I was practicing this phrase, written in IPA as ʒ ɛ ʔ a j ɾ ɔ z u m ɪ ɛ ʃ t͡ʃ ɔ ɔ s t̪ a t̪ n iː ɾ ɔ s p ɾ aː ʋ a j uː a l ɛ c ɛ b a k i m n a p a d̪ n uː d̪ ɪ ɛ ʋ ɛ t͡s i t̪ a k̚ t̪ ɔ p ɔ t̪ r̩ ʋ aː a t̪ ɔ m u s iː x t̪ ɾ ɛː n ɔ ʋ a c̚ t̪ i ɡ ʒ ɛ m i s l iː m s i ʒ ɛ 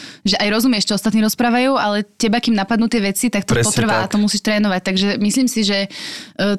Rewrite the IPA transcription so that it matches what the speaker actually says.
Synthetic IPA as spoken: ʒ ɛ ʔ a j ɾ ɔ z u m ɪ ɛ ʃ t͡ʃ ɔ ɔ s t̪ a t̪ n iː ɾ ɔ s p ɾ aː ʋ a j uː a l ɛ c ɛ b a k i m n a p a d̪ n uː t̪ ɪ ɛ ʋ ɛ t͡s i t̪ a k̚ t̪ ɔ p ɔ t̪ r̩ ʋ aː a t̪ ɔ m u s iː ʃ t̪ ɾ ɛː n ɔ ʋ a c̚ t̪ a ɡ ʒ ɛ m i s l iː m s i ʒ ɛ